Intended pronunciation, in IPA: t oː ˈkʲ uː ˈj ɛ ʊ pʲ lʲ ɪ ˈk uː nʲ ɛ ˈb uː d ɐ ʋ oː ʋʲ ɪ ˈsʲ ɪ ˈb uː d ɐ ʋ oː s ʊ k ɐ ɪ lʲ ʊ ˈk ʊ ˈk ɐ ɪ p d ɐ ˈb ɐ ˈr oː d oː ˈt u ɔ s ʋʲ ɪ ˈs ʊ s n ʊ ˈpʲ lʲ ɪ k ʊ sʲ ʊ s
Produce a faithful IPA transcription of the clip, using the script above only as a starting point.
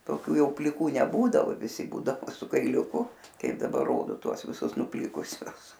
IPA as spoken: t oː ˈkʲ uː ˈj ɛ ʊ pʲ lʲ ɪ ˈk uː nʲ ɛ ˈb uː d ɐ ʋ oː ʋʲ ɪ ˈsʲ ɪ ˈb uː d ɐ ʋ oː s ʊ k ɐ ɪ lʲ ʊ ˈk ʊ ˈk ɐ ɪ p d ɐ ˈb ɐ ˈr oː d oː ˈt u ɔ s ʋʲ ɪ ˈs ʊ s n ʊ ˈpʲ lʲ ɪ k ʊ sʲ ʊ s